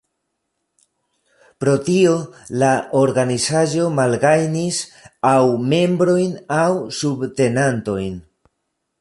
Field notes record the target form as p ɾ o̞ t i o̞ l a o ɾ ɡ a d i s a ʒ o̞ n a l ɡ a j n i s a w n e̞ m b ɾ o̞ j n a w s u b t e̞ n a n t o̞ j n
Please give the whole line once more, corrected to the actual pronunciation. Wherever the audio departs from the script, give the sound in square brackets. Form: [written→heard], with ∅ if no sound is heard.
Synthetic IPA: p ɾ o̞ t i o̞ l a o ɾ ɡ a [d→n] i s a ʒ o̞ [n→m] a l ɡ a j n i s a w [n→m] e̞ m b ɾ o̞ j n a w s u b t e̞ n a n t o̞ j n